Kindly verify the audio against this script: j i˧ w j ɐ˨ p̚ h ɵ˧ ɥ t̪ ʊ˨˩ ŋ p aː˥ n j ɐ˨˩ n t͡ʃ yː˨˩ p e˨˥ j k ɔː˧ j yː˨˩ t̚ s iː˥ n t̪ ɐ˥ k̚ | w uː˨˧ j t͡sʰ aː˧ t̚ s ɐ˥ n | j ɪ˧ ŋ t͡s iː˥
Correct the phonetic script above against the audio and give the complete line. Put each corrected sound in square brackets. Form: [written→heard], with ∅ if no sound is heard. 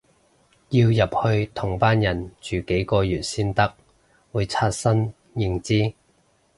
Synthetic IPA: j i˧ w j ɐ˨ p̚ h ɵ˧ ɥ [t̪→t̪ʰ] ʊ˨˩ ŋ p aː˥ n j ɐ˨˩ n t͡ʃ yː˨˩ [p→k] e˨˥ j k ɔː˧ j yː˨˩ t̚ s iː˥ n t̪ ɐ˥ k̚ | w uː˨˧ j t͡sʰ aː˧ t̚ s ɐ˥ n | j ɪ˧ ŋ t͡s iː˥